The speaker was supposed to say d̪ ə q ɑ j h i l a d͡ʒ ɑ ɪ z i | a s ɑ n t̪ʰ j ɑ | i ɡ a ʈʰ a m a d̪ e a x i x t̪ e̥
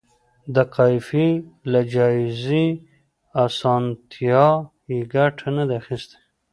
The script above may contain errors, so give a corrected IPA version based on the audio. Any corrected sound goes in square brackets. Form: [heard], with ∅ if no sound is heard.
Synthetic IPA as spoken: d̪ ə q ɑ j [f] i l a d͡ʒ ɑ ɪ z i | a s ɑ n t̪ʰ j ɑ | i ɡ a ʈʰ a [n] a d̪ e a x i [s] t̪ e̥